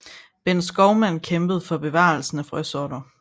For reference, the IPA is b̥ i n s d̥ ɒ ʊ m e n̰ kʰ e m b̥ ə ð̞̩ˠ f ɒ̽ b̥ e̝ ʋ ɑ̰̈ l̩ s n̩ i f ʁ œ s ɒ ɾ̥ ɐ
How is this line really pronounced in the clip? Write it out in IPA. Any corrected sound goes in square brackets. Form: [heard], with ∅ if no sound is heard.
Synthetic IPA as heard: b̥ [e] n s [ɡ̥] ɒ ʊ m [æ] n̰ kʰ e m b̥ ə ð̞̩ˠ f ɒ̽ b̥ e̝ ʋ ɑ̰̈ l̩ s n̩ [æ] f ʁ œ s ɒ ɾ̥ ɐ